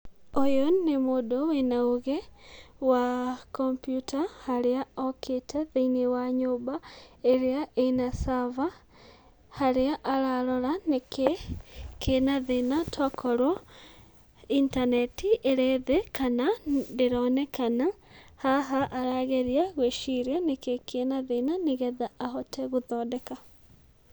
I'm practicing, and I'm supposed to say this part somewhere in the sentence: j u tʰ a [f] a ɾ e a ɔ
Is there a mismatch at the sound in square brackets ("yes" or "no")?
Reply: yes